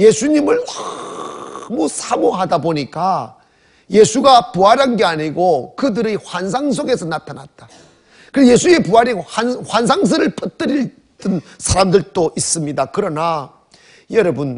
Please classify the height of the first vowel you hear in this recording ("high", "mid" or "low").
mid